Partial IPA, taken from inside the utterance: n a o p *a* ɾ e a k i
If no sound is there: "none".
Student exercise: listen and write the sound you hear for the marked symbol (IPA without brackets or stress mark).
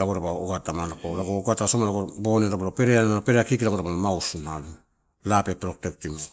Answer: e